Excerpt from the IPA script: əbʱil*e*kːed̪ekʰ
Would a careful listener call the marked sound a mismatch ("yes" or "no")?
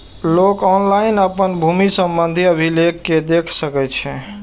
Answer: no